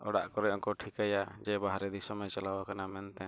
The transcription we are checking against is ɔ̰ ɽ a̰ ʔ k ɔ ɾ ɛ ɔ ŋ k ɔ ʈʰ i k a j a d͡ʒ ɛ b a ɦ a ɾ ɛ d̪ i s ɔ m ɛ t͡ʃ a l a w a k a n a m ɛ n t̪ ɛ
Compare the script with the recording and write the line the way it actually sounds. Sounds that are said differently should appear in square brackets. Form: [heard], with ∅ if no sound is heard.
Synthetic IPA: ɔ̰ ɽ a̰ ʔ k ɔ ɾ ɛ ɔ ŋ k ɔ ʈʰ i k a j a d͡ʒ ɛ b a ɦ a ɾ ɛ d̪ i s ɔ m ɛ t͡ʃ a l a w a k a n a m ɛ n t̪ ɛ